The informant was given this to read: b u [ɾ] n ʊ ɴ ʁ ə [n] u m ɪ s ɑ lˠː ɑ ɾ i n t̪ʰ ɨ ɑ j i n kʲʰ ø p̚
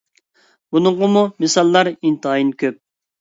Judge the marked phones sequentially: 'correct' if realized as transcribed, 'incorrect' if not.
incorrect: none, incorrect: m

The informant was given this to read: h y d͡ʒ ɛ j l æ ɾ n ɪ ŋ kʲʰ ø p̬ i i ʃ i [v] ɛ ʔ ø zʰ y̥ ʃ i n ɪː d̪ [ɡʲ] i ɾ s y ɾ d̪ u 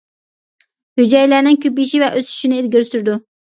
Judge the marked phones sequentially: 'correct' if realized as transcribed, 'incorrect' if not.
correct, correct

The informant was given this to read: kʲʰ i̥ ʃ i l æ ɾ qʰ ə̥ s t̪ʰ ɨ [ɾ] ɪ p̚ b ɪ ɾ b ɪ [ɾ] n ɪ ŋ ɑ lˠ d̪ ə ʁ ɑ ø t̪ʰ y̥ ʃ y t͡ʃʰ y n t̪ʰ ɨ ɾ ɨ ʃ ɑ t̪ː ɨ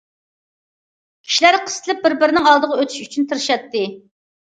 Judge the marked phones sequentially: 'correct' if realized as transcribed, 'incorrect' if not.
incorrect: l, correct

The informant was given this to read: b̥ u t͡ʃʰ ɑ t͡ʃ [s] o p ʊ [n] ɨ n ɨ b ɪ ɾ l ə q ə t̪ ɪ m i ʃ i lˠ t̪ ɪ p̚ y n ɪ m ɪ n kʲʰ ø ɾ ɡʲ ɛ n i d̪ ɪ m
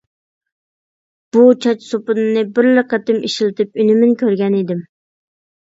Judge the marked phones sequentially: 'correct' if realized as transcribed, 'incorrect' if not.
correct, correct

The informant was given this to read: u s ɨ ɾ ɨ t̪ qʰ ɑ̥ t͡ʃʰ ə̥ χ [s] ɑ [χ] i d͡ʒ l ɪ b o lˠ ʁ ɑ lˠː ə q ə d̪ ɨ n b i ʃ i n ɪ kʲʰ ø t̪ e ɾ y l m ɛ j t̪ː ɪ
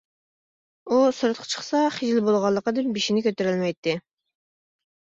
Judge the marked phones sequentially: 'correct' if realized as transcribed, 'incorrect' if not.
correct, correct

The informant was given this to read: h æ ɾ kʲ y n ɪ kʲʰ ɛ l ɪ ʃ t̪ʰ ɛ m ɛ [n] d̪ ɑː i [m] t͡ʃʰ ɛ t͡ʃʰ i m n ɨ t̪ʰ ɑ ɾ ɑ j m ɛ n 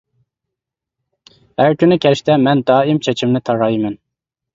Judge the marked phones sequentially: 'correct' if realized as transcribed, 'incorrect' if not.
correct, correct

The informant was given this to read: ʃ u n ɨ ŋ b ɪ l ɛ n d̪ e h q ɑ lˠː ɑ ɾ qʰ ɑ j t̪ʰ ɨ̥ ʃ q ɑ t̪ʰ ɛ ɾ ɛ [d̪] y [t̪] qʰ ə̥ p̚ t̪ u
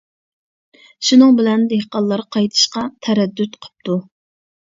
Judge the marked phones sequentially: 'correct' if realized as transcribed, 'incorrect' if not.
incorrect: d̪ː, correct

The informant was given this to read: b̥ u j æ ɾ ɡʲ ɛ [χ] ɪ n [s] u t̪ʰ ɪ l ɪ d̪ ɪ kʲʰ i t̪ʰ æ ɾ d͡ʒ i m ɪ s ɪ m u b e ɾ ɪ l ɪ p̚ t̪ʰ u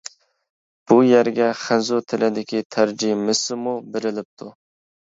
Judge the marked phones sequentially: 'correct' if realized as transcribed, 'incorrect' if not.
correct, incorrect: z

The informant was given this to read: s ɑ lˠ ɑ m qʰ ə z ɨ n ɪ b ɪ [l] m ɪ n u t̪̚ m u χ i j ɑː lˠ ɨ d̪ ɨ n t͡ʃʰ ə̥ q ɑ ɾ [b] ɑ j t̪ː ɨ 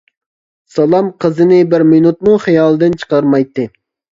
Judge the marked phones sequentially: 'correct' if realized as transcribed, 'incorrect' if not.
incorrect: ɾ, incorrect: m

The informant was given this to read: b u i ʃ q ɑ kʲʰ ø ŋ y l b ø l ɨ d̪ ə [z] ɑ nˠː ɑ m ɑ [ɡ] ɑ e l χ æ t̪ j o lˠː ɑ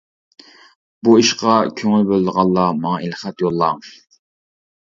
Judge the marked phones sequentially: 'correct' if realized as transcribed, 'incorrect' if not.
incorrect: ʁ, incorrect: ŋ

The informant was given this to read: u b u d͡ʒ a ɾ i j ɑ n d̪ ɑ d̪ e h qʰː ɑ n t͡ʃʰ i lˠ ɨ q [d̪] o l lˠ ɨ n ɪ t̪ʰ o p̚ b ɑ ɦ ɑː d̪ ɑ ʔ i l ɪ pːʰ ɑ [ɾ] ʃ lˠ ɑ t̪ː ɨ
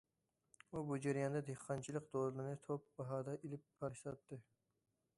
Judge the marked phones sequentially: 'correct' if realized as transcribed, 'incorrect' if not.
correct, correct

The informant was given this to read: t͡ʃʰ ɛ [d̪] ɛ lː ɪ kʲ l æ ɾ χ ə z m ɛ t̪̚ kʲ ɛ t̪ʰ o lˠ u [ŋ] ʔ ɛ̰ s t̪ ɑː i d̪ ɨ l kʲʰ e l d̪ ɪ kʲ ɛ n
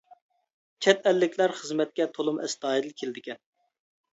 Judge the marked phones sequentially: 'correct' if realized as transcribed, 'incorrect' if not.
incorrect: t̪, incorrect: m

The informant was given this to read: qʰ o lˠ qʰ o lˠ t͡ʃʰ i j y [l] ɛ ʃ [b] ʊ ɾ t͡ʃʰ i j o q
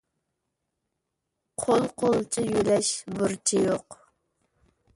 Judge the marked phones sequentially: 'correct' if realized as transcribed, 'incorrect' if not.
correct, correct

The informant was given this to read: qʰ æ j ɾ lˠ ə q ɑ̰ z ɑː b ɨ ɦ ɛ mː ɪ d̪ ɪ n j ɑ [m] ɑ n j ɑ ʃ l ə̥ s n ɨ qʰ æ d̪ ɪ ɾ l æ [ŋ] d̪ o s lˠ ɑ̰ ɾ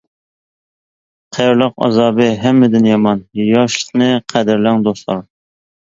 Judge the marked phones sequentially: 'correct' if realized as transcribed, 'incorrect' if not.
correct, correct

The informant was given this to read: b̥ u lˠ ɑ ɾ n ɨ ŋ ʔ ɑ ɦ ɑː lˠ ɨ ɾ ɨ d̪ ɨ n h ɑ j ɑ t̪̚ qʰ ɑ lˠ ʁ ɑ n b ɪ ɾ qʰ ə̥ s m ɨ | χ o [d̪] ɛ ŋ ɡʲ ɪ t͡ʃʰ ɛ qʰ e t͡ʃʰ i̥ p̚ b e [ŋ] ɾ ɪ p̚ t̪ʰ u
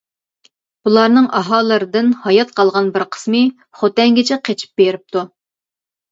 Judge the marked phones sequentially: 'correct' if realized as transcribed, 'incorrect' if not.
incorrect: t̪, incorrect: none

